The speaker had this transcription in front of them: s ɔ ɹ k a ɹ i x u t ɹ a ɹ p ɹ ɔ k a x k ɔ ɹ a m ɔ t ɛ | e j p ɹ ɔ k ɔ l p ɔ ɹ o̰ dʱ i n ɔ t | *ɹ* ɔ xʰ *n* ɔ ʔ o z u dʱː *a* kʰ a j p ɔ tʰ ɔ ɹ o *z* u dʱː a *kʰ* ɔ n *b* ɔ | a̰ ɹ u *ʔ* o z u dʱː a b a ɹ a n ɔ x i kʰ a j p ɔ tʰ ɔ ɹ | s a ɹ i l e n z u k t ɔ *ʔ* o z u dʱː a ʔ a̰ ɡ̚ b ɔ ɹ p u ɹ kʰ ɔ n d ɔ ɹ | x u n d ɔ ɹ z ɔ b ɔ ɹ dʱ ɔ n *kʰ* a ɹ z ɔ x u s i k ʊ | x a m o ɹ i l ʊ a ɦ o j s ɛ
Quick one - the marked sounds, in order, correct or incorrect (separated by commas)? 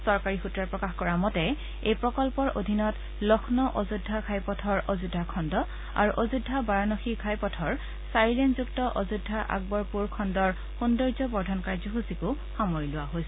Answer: incorrect, correct, correct, correct, correct, incorrect, correct, correct, incorrect